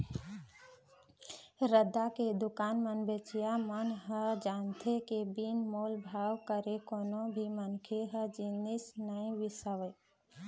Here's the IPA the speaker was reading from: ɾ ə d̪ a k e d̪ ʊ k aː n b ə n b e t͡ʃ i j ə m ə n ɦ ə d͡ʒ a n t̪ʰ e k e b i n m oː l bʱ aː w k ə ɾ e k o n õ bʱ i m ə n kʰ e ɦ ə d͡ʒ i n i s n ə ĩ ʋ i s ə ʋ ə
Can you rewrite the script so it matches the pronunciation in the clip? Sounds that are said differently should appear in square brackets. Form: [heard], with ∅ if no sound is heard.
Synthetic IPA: ɾ ə d̪ a k e d̪ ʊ k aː n [m] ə n b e t͡ʃ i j [a] m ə n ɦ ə d͡ʒ a n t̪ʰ e k e b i n m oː l bʱ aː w k ə ɾ e k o n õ bʱ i m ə n kʰ e ɦ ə d͡ʒ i n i s n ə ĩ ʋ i s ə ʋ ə